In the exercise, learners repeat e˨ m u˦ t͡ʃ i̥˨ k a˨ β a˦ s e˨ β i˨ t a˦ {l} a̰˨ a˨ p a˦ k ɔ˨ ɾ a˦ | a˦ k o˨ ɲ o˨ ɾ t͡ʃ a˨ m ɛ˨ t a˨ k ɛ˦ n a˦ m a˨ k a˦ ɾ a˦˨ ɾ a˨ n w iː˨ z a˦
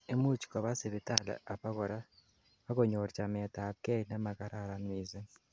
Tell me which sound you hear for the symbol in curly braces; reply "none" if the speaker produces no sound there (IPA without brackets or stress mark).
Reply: l